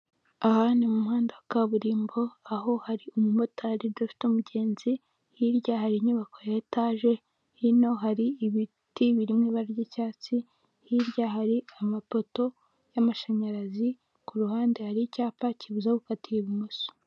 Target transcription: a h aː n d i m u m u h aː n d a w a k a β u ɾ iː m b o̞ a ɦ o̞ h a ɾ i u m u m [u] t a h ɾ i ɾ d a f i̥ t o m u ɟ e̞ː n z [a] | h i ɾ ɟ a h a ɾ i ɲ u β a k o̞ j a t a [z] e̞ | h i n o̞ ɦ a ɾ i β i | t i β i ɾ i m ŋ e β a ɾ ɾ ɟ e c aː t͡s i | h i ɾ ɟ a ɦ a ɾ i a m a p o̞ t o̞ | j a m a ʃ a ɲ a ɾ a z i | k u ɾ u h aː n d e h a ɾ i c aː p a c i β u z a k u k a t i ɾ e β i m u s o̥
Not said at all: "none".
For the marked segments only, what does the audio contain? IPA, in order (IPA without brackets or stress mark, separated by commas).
o, i, ʒ